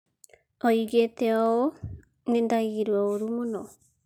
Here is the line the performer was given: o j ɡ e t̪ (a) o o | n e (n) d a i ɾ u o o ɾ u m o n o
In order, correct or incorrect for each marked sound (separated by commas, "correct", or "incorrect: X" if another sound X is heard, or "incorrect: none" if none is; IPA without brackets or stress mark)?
incorrect: e, correct